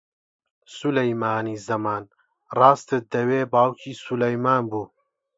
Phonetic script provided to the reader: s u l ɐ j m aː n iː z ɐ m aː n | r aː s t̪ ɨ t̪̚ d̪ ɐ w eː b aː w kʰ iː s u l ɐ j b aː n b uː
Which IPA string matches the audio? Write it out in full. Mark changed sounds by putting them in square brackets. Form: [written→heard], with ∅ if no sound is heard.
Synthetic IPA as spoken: s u l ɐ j m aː n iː z ɐ m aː n | r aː s t̪ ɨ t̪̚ d̪ ɐ w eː b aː w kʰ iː s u l ɐ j [b→m] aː n b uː